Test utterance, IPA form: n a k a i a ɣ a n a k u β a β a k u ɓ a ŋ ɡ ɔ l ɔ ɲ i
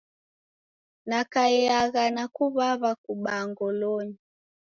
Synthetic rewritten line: n a k a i a ɣ a n a k u β a β a k u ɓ a ŋ ɡ ɔ l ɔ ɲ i